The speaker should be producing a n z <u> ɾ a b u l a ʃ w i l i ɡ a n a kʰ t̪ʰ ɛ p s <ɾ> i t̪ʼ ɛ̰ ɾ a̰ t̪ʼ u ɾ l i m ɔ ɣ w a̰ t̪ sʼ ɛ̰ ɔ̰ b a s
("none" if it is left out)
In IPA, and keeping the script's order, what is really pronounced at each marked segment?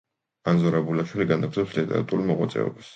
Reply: ɔ, l

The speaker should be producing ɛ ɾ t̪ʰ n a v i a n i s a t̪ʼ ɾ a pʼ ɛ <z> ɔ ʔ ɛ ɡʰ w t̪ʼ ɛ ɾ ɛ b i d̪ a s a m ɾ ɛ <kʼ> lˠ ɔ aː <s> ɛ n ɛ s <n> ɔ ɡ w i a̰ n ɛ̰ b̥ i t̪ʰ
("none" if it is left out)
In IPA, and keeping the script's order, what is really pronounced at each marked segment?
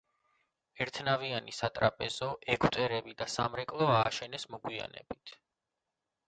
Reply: z, kʼ, ʃ, m

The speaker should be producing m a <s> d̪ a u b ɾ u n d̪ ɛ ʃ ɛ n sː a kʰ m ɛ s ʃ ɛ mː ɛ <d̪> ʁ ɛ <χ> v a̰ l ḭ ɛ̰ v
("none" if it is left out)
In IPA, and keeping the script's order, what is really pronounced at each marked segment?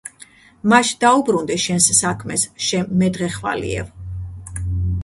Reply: ʃ, d̪, χ

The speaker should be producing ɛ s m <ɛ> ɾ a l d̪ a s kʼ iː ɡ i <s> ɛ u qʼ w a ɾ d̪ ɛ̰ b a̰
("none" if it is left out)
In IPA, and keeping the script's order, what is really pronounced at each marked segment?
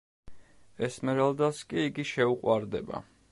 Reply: ɛ, ʃ

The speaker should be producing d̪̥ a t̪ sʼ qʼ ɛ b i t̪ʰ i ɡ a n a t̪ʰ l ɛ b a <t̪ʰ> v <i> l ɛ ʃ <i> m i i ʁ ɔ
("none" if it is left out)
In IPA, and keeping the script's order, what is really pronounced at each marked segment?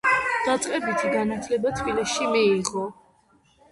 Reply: t̪ʰ, i, i

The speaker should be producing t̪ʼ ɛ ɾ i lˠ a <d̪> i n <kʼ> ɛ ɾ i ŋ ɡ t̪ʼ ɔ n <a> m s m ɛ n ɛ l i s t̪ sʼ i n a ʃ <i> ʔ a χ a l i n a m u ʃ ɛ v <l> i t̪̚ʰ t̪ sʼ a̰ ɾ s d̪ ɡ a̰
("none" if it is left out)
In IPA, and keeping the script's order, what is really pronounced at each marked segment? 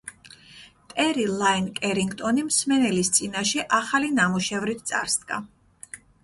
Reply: none, kʼ, i, ɛ, ɾ

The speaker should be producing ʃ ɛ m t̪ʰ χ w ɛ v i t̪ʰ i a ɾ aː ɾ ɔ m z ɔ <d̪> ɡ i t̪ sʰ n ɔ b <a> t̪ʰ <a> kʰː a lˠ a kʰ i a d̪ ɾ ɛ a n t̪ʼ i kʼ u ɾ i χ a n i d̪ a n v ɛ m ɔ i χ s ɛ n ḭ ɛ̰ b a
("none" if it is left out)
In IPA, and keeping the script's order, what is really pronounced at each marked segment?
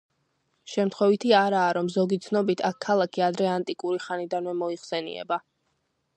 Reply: none, i, a

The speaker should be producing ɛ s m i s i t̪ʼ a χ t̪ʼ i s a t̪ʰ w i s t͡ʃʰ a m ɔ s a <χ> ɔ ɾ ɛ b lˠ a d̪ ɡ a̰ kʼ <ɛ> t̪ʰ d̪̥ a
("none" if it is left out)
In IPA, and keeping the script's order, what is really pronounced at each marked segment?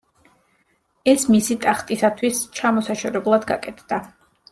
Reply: ʃ, ɛ

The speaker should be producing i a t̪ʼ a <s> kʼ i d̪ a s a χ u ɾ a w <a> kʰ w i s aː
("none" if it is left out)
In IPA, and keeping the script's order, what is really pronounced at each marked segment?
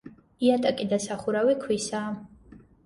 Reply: none, i

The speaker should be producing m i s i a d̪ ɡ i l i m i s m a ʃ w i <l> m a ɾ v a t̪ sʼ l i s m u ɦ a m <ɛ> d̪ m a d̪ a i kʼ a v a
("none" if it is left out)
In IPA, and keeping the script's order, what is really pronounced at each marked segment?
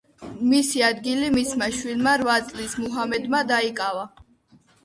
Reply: l, ɛ

